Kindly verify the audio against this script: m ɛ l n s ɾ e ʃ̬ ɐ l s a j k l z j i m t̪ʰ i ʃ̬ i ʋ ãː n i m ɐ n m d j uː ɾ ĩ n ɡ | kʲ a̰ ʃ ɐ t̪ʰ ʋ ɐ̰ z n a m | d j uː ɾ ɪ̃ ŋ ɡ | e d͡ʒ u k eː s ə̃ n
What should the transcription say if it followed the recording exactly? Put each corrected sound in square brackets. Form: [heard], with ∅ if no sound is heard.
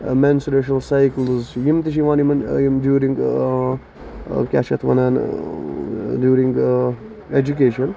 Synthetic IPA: m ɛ [∅] n s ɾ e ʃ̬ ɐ l s a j k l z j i m [t̪] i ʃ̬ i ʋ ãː n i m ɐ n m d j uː ɾ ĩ [ŋ] ɡ | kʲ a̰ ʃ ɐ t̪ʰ ʋ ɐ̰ [∅] n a [n] | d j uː ɾ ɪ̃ ŋ ɡ | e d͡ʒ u k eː [ʃ] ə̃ n